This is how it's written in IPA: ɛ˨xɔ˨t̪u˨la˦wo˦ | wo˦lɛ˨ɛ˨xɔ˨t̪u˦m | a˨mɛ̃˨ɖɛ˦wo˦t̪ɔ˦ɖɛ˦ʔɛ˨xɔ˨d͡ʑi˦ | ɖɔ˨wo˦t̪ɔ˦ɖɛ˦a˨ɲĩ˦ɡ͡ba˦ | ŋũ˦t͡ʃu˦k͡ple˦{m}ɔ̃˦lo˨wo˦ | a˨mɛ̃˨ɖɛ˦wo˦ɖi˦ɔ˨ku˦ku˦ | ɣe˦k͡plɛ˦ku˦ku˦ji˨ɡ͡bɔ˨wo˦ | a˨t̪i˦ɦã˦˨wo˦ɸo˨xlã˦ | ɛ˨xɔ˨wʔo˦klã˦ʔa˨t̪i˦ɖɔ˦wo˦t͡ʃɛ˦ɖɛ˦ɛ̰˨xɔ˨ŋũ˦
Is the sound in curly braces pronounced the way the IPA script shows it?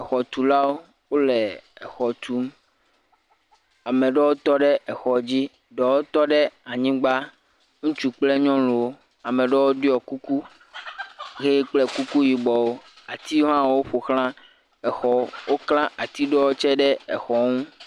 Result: no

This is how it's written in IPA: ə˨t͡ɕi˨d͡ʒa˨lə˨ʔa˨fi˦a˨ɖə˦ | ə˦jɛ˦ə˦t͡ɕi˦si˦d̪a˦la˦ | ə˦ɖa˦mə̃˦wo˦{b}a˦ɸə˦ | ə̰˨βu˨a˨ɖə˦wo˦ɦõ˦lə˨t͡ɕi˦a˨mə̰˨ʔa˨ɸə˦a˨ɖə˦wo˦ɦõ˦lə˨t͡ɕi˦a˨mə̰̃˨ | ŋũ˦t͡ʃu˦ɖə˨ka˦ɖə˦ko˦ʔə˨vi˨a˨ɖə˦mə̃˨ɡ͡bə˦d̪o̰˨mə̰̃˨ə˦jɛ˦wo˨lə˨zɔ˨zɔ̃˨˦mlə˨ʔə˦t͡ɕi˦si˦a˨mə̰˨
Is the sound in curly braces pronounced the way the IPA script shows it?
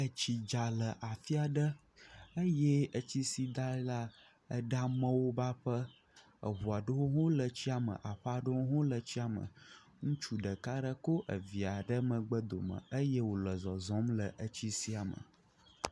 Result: yes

